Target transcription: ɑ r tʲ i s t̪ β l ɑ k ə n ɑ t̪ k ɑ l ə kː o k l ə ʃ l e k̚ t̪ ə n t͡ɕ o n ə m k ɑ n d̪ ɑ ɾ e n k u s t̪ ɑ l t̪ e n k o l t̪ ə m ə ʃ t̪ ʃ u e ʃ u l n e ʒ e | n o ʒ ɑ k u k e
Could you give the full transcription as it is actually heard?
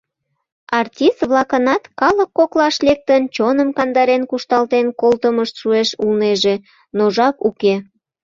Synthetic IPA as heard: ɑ r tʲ i s t̪ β l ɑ k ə n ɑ t̪ k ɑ l ə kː o k l ɑ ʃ l e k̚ t̪ ə n t͡ɕ o n ə m k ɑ n d̪ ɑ ɾ e n k u ʃ t̪ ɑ l t̪ e n k o l t̪ ə m ə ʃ t̪ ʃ u e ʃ u l n e ʒ e | n o ʒ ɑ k u k e